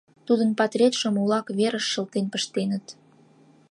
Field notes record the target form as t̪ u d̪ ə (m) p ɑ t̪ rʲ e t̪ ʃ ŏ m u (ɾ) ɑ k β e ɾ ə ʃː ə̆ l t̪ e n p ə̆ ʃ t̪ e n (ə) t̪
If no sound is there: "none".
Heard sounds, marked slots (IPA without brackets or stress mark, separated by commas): n, l, ə